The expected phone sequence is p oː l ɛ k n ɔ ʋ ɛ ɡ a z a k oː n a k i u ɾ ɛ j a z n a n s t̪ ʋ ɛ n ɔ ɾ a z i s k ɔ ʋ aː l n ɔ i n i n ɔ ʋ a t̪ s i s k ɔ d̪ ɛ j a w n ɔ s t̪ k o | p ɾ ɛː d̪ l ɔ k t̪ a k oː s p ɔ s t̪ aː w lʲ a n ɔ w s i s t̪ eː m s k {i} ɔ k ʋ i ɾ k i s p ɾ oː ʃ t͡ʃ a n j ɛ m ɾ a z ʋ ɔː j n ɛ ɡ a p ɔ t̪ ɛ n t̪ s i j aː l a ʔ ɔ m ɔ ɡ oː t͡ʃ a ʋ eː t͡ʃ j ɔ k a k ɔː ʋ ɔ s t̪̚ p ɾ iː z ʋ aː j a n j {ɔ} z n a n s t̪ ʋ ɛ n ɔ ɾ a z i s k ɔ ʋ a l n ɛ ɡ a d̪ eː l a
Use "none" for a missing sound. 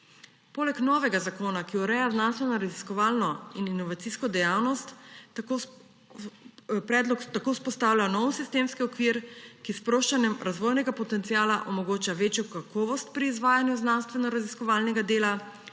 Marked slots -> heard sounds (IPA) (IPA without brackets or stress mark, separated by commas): i, u